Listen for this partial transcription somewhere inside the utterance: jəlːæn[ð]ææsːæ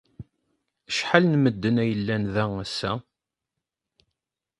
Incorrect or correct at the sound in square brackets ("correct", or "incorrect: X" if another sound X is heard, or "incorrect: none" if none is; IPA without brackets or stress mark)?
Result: correct